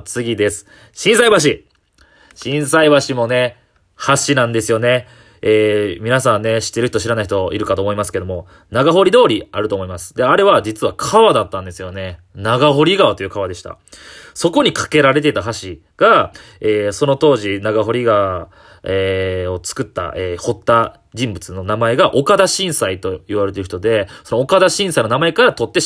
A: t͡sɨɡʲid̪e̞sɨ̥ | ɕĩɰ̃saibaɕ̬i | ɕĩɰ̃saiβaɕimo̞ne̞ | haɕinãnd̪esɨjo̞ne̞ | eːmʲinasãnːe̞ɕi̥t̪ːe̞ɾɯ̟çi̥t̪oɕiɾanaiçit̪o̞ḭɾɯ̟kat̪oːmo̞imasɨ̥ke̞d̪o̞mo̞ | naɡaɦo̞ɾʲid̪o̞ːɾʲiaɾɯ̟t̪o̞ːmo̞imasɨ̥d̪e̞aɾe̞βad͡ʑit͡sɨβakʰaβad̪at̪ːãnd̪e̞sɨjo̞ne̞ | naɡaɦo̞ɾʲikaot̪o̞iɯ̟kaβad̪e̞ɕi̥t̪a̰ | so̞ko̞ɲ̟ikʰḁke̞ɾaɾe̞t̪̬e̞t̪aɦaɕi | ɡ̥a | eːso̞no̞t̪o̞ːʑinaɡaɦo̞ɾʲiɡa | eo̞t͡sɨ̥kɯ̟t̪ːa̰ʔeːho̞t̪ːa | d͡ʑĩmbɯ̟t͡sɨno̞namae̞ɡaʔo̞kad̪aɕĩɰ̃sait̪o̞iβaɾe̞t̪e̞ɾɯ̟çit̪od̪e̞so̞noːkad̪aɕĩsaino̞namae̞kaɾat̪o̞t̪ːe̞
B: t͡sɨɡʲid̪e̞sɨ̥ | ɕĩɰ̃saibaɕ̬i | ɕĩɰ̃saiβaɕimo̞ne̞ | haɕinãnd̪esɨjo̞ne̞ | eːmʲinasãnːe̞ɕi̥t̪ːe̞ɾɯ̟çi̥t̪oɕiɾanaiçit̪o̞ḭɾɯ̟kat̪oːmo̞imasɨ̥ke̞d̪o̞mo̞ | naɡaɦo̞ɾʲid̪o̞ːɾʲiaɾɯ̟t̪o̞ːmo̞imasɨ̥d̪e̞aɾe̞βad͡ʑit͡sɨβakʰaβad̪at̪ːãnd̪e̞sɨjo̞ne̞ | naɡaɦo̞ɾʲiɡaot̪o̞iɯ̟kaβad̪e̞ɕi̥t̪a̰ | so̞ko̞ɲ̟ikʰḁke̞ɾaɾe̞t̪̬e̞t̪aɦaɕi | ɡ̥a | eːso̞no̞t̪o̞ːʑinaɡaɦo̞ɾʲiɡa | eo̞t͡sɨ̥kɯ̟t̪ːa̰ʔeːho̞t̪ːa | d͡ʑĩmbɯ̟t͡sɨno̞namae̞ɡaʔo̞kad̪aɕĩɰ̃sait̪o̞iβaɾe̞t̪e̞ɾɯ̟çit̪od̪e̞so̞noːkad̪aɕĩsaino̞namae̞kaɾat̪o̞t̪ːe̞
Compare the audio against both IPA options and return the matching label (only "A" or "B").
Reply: B